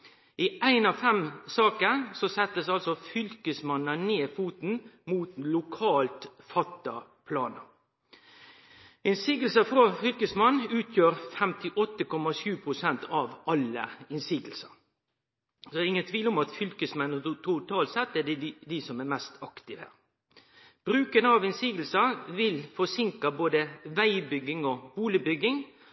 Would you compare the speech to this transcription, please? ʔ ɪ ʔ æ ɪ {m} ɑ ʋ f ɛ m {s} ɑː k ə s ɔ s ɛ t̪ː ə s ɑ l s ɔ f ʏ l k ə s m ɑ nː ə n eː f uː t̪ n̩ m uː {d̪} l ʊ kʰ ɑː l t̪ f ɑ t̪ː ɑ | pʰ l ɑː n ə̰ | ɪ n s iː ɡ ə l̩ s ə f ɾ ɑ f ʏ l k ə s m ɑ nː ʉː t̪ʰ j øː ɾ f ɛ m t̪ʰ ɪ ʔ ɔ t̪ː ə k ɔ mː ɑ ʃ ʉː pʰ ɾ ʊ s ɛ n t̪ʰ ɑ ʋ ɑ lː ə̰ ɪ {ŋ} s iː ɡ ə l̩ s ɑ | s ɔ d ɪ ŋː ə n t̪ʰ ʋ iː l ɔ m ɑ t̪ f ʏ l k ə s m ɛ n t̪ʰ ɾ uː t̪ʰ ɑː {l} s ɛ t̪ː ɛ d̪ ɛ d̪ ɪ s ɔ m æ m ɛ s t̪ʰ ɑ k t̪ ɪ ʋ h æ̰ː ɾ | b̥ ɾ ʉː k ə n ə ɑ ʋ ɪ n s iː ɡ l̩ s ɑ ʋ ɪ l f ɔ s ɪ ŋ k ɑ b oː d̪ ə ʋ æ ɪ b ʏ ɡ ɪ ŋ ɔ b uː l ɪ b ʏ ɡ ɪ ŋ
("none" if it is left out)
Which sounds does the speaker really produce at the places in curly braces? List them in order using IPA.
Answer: n, s, t̪, n, l

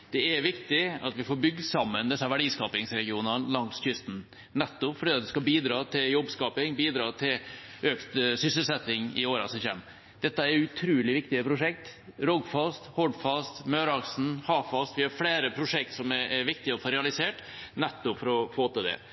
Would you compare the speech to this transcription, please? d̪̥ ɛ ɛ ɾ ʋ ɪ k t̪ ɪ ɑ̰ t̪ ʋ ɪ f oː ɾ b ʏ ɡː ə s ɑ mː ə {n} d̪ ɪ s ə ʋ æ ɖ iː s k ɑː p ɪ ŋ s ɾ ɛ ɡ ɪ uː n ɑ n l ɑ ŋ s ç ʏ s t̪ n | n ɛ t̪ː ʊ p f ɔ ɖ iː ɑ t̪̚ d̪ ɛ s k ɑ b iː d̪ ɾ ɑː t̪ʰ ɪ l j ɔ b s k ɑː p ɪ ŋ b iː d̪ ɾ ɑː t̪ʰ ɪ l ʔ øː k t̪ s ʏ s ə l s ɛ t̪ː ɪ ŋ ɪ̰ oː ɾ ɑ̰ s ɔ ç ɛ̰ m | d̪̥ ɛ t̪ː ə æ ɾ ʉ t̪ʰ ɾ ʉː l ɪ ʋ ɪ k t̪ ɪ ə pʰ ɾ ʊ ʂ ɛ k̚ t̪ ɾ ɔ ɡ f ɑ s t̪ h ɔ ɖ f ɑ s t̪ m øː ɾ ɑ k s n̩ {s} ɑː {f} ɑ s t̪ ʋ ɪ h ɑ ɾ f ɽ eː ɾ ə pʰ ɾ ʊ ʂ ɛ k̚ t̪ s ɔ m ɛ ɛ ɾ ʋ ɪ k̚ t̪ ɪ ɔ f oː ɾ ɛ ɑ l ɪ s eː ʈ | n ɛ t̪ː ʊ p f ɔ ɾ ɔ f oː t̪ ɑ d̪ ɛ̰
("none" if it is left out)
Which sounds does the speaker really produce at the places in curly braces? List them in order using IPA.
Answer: n, h, f

